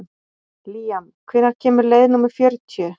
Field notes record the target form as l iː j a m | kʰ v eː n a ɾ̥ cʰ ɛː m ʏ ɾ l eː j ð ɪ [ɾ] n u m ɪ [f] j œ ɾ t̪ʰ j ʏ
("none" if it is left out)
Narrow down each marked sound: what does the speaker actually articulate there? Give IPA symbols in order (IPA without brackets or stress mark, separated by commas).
none, f